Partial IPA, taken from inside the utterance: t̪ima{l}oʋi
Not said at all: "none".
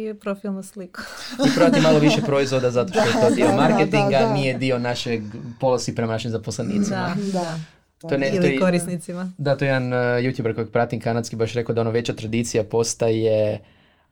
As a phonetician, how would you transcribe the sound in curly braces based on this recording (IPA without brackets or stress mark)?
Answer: l